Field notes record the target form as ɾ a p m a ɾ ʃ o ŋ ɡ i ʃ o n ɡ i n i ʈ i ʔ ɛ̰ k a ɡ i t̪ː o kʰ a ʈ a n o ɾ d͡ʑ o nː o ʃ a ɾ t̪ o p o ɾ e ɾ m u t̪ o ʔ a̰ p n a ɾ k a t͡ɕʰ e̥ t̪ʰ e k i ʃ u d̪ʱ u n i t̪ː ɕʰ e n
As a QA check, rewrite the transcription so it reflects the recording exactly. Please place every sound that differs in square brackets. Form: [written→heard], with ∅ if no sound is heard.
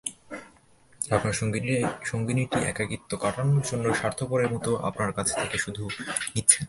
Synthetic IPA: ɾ a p [m→n] a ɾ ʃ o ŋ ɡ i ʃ o [n→ŋ] ɡ i n i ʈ i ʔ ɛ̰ k a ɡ i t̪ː o [kʰ→k] a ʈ a n o ɾ d͡ʑ o nː o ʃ a ɾ [t̪→t̪ʰ] o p o ɾ e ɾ m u t̪ o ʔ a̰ p n a ɾ k a t͡ɕʰ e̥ t̪ʰ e k [i→e] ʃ u d̪ʱ u n i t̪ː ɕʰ e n

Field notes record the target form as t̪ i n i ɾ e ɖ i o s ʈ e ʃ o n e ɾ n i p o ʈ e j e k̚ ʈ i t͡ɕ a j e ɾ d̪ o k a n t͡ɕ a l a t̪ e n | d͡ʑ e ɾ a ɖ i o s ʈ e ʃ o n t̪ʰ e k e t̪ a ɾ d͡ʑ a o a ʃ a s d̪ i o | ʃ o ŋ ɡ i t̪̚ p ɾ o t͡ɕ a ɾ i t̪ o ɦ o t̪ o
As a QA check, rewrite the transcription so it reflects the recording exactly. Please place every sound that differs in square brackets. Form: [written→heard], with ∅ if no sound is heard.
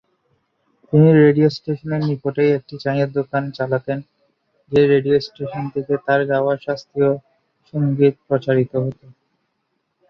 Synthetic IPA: t̪ i n i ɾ e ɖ i o s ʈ e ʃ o n e ɾ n i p o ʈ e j e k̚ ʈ i t͡ɕ a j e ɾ d̪ o k a n t͡ɕ a l a t̪ e n | d͡ʑ e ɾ [a→e] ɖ i o s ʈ e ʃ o n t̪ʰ e k e t̪ a ɾ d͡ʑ a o a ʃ a s [d̪→t̪] i o | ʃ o ŋ ɡ i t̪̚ p ɾ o t͡ɕ a ɾ i t̪ o ɦ o t̪ o

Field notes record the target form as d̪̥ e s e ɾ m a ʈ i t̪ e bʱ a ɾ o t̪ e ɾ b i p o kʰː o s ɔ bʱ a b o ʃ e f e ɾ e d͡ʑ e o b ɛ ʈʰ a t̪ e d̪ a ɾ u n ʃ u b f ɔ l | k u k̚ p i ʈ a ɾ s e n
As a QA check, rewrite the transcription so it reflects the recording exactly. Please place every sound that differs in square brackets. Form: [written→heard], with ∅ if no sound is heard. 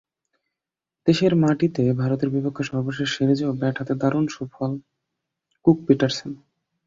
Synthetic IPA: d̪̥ e [s→ʃ] e ɾ m a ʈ i t̪ e bʱ a ɾ o t̪ e ɾ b i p o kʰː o [s→ʃ] ɔ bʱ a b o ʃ e [f→ʃ] e ɾ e d͡ʑ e o b ɛ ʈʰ a t̪ e d̪ a ɾ u n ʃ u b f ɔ l | k u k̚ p i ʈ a ɾ s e n

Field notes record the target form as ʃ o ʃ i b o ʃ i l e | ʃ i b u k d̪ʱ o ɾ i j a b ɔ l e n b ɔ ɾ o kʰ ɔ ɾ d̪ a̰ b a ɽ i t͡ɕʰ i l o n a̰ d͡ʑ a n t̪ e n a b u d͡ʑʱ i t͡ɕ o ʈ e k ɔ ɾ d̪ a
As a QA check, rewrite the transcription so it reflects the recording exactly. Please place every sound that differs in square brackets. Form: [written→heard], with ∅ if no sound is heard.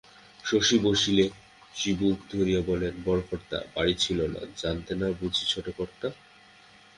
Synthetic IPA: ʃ o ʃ i b o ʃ i l e | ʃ i b u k d̪ʱ o ɾ i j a b ɔ l e n b ɔ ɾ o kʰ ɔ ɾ [d̪→t̪] a̰ b a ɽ i t͡ɕʰ i l o n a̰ d͡ʑ a n t̪ e n a b u d͡ʑʱ i [t͡ɕ→t͡ɕʰ] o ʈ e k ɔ ɾ [d̪→t̪] a

